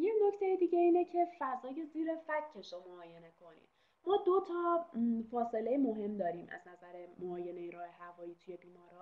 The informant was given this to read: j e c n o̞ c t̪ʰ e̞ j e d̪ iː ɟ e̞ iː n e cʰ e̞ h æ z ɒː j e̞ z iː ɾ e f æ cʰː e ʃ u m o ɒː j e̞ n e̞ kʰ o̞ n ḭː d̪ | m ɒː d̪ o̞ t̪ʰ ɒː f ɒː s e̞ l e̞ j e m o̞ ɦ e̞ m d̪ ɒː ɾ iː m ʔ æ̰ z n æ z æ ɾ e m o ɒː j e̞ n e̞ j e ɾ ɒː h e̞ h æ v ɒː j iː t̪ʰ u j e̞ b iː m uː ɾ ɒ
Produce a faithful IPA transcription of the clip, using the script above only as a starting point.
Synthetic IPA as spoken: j e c n o̞ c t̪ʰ e̞ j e d̪ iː ɟ e̞ iː n e cʰ e̞ f æ z ɒː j e̞ z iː ɾ e f æ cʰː e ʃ o m o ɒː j e̞ n e̞ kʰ o̞ n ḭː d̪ | m ɒː d̪ o̞ t̪ʰ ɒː f ɒː s e̞ l e̞ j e m o̞ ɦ e̞ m d̪ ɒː ɾ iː m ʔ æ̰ z n æ z æ ɾ e m o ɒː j e̞ n e̞ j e ɾ ɒː h e̞ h æ v ɒː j iː t̪ʰ u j e̞ b iː m ɒː ɾ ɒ